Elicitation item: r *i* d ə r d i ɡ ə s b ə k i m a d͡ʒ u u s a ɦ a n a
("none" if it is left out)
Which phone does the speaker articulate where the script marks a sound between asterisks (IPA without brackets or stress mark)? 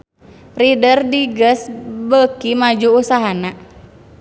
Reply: i